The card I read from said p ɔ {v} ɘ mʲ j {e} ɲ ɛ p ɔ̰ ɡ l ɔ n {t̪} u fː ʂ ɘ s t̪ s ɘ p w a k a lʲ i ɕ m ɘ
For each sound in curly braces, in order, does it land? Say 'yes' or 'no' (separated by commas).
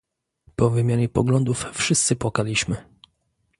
yes, no, no